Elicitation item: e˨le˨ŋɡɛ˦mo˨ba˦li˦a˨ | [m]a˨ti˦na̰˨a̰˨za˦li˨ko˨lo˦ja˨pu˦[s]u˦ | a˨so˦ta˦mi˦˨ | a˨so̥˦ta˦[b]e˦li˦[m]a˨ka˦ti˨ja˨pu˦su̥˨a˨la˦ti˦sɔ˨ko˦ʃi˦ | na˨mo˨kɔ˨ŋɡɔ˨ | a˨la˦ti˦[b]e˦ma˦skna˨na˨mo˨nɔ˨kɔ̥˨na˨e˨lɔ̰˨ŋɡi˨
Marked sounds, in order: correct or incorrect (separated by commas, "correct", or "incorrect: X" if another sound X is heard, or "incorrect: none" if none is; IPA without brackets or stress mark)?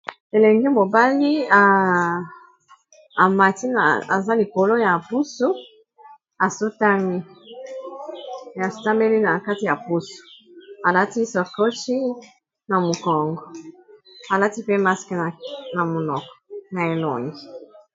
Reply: correct, correct, incorrect: m, incorrect: n, incorrect: p